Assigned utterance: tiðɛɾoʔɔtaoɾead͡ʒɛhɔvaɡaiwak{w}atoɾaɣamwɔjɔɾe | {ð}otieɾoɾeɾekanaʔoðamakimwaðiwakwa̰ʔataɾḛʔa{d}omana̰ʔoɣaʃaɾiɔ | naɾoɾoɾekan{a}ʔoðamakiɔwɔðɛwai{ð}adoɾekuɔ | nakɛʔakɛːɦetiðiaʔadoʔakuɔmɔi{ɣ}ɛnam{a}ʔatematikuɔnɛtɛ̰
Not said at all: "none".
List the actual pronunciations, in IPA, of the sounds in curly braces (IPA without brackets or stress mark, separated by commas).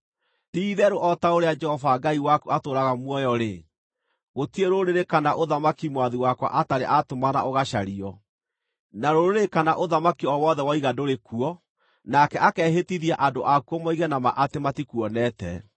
u, ɣ, t, a, ɣ, ɣ, a